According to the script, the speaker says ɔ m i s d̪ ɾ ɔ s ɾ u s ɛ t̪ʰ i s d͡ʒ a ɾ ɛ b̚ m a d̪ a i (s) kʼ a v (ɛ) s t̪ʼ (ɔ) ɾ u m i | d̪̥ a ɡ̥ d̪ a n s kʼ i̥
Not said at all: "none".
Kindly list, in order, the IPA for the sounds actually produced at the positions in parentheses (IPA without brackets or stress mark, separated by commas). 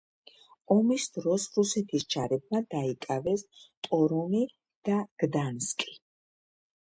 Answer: none, ɛ, ɔ